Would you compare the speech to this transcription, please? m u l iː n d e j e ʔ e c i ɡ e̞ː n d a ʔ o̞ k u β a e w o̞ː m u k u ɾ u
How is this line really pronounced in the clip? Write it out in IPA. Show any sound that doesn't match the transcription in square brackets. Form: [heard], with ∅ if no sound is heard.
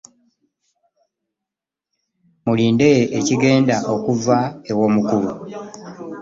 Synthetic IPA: m u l iː n d e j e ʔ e c i ɡ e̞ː n d a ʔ o̞ k u [v] a e w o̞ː m u k u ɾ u